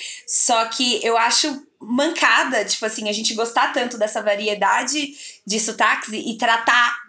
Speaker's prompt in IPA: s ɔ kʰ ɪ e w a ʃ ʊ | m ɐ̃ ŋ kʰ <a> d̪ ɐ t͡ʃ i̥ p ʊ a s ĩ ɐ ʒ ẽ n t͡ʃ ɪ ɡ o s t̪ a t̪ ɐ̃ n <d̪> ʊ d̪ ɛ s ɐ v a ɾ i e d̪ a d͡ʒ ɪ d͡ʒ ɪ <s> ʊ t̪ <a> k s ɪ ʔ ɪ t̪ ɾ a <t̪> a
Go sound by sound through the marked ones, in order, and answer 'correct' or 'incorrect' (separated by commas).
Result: correct, incorrect, correct, correct, correct